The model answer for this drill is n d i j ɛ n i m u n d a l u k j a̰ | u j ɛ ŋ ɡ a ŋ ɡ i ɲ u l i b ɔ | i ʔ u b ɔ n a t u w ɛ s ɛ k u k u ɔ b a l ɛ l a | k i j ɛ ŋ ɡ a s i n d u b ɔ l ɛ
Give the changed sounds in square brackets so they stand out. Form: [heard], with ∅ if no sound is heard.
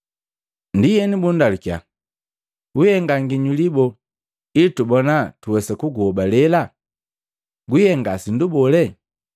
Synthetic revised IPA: n d i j ɛ n i [b] u n d a l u k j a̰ | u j ɛ ŋ ɡ a ŋ ɡ i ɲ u l i b ɔ | i [t] u b ɔ n a t u w ɛ s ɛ k u [ɡ] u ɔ b a l ɛ l a | [ɡ] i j ɛ ŋ ɡ a s i n d u b ɔ l ɛ